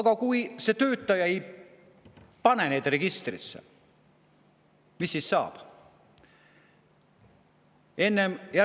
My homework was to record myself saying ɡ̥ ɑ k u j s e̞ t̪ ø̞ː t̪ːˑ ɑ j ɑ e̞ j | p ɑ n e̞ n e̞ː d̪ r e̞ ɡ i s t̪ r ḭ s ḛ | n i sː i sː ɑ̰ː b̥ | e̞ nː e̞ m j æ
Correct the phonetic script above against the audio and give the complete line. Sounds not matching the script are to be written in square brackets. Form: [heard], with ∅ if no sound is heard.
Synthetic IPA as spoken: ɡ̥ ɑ k u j s e̞ t̪ ø̞ː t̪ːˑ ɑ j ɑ e̞ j | p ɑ n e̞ n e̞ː d̪ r e̞ ɡ i s t̪ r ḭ s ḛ | [m] i sː i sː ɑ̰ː b̥ | e̞ nː e̞ m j æ

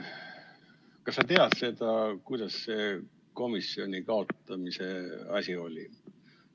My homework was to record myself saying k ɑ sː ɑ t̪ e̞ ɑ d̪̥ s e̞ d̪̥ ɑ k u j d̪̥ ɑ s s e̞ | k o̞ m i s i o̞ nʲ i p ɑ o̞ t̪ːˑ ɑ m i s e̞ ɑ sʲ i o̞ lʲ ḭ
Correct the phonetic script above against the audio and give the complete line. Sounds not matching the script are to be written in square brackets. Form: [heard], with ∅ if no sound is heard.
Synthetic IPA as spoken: k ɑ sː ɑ t̪ e̞ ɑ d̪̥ s e̞ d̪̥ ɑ k u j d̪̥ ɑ s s e̞ | k o̞ m i s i o̞ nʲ i [k] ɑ o̞ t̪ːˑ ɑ m i s e̞ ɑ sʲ i o̞ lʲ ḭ

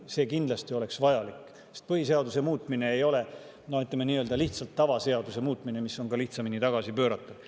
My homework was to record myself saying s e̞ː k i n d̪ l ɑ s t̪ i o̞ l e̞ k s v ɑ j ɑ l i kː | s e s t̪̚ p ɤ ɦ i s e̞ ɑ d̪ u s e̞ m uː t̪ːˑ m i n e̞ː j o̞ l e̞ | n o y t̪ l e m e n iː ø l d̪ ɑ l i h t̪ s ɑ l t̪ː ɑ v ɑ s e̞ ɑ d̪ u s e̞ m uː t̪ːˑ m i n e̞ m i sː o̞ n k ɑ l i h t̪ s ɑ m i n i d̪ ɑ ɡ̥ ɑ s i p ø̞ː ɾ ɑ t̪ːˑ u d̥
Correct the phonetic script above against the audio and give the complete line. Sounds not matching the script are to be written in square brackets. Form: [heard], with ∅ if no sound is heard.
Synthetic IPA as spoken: s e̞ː k i n d̪ l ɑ s t̪ i o̞ l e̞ k s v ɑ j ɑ l i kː | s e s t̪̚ p ɤ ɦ i s e̞ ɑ d̪ u s e̞ m uː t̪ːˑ m i n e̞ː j o̞ l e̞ | n o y t̪ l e m e n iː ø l d̪ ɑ l i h t̪ s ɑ l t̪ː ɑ v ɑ s e̞ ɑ d̪ u s e̞ m uː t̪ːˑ m i n e̞ m i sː o̞ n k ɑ l i h t̪ s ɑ m i n i [t̪] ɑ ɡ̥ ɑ s i p ø̞ː ɾ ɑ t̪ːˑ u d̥

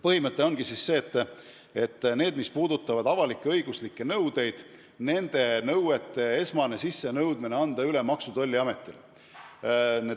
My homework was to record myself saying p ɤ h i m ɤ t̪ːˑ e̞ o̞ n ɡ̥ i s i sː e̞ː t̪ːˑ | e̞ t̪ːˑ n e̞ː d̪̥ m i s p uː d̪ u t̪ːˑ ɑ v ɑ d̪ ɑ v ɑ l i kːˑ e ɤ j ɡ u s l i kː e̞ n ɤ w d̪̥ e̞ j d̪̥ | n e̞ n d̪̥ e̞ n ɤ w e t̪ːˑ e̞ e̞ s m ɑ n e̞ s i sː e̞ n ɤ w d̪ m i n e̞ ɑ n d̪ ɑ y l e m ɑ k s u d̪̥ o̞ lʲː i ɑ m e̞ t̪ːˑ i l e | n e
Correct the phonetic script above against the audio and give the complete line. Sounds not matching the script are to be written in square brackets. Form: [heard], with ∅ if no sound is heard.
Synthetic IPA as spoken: p ɤ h i m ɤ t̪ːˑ e̞ o̞ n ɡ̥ i s i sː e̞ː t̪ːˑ | e̞ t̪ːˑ n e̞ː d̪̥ m i s p uː d̪ u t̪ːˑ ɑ v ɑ d̪ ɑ v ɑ l i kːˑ e ɤ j ɡ u s l i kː e̞ n ɤ w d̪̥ e̞ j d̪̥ | n e̞ n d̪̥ e̞ n ɤ w e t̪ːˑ e̞ e̞ s m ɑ n e̞ s i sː e̞ n ɤ w d̪ m i n e̞ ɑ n d̪ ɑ y l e m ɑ k s u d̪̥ o̞ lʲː i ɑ m e̞ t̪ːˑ i l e | n e

